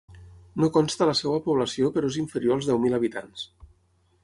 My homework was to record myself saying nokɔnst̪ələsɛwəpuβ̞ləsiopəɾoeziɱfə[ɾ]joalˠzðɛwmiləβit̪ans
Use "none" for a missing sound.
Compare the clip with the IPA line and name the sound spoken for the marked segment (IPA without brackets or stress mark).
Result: ɾ